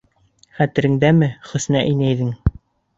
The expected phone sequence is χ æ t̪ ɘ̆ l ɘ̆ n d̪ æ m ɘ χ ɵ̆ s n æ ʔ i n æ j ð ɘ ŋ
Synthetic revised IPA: χ æ t̪ ɘ̆ ɾ ɘ̆ ŋ d̪ æ m ɘ χ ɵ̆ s n æ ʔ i n æ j ð ɘ ŋ